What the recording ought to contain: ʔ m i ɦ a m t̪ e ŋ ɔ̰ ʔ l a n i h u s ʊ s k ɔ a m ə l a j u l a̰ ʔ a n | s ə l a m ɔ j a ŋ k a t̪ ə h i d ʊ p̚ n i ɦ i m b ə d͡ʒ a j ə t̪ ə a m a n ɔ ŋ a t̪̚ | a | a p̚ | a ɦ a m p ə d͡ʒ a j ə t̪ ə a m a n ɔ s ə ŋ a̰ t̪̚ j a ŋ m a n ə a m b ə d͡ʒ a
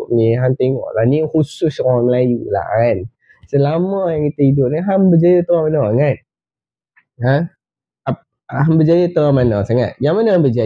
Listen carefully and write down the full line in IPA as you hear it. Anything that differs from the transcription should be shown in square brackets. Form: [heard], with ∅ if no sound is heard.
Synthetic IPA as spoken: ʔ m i ɦ a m t̪ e ŋ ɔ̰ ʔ l a n i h u s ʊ s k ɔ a m ə l a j u l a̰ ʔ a n | s ə l a m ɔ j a ŋ k [i] t̪ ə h i d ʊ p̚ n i ɦ [a] m b ə d͡ʒ a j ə t̪ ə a m a n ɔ ŋ a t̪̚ | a | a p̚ | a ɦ a m [b] ə d͡ʒ a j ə t̪ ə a m a n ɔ s [a] ŋ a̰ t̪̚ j a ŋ m a n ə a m b ə d͡ʒ a